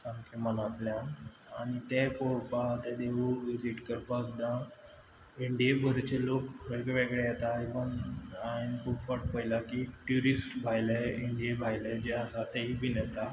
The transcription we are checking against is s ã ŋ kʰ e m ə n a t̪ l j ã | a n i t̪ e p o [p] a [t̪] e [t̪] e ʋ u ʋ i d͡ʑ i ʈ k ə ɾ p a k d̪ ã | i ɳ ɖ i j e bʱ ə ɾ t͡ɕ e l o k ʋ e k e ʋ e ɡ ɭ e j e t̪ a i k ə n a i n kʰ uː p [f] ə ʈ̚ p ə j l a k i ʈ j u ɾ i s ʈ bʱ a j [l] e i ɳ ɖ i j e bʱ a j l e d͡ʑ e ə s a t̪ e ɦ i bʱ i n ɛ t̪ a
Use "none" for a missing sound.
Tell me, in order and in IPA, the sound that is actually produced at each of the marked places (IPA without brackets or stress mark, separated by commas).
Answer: p, t̪, d̪, f, l